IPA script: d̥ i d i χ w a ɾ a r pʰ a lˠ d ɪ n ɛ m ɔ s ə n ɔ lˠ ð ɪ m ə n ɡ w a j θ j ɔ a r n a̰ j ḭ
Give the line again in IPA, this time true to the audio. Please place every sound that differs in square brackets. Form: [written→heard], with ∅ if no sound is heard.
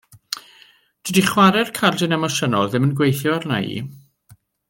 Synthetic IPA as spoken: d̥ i d i χ w a ɾ [a→ɛ] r [pʰ→kʰ] a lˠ d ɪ n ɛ m ɔ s ə n ɔ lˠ ð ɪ m ə n ɡ w [a→e] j θ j ɔ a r n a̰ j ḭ